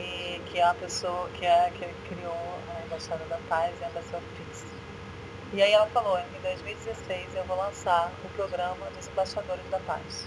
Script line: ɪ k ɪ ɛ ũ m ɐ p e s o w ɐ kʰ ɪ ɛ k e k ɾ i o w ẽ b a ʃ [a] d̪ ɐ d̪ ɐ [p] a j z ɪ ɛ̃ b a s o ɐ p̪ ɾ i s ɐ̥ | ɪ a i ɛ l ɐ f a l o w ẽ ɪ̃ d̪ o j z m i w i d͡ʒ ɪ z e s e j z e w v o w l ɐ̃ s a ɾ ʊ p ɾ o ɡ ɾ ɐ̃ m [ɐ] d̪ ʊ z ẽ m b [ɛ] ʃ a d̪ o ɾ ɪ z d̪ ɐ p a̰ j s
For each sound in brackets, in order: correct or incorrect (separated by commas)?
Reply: correct, correct, correct, incorrect